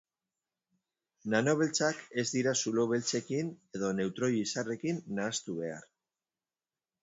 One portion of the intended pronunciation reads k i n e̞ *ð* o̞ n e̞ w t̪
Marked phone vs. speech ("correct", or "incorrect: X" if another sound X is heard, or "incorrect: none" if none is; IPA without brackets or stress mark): correct